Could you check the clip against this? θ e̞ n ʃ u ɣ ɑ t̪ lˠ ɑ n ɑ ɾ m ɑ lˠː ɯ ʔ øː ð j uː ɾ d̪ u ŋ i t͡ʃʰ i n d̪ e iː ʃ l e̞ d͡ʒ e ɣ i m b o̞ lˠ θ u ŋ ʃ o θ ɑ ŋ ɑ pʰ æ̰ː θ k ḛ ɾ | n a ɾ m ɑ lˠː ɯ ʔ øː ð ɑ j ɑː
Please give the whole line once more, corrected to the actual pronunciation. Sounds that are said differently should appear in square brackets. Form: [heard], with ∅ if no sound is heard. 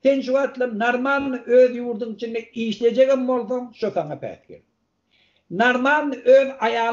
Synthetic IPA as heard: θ e̞ n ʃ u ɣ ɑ t̪ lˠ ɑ n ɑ ɾ m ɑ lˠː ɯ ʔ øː ð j uː ɾ d̪ u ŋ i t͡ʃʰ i n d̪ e iː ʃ l e̞ d͡ʒ e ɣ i m b o̞ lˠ θ [o] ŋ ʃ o θ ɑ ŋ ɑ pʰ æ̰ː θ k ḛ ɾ | n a ɾ m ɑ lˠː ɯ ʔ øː ð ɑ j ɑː